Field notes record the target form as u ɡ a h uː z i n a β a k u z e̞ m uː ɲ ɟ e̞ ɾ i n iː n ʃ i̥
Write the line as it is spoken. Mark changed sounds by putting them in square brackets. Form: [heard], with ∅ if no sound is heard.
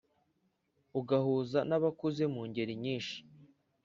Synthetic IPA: u ɡ a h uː z [a] n a β a k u z e̞ m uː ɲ ɟ e̞ ɾ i [ɲ] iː n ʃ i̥